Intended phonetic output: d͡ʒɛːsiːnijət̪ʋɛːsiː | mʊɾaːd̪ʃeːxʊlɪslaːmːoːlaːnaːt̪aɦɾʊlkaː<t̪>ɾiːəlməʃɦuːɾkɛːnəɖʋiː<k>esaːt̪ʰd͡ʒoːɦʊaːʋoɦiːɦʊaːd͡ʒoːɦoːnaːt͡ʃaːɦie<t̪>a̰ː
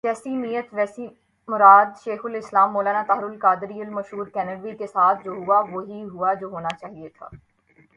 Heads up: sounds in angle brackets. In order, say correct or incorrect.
incorrect, correct, incorrect

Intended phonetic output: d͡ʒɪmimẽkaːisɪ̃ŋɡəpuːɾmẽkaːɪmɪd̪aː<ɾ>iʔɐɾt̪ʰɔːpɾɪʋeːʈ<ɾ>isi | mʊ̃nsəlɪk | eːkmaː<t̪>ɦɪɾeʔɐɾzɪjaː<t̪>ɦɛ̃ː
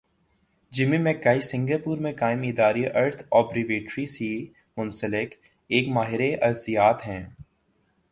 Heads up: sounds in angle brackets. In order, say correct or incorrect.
correct, correct, incorrect, correct

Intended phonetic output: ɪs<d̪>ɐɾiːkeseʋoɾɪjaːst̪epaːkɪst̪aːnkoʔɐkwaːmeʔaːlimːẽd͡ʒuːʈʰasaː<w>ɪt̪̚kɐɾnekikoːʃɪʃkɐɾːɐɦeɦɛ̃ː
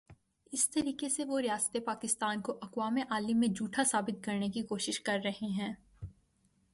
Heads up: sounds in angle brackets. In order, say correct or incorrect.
incorrect, incorrect

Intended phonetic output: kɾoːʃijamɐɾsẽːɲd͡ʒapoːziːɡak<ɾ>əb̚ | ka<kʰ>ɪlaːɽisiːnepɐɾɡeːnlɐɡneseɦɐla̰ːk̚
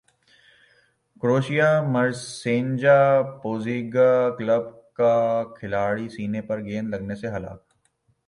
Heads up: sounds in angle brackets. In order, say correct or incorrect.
incorrect, correct

